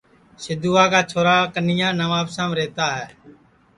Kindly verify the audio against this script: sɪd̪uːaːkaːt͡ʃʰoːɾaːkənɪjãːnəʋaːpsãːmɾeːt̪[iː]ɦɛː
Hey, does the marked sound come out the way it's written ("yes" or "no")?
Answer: no